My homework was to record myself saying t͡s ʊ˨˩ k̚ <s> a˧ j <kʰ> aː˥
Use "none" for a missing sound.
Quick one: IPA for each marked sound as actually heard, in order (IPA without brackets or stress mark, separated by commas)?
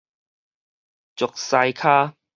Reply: s, kʰ